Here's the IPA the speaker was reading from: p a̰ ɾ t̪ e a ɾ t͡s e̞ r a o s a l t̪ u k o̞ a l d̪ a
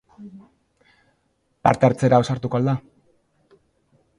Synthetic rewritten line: p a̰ ɾ t̪ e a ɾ t͡s e̞ ɾ a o s a ɾ t̪ u k o̞ a l d̪ a